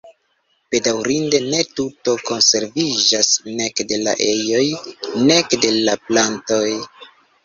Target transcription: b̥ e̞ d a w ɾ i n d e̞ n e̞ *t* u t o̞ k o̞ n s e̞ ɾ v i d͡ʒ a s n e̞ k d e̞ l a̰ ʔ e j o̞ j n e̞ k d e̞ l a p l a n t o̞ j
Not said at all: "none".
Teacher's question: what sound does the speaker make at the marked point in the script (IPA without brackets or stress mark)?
t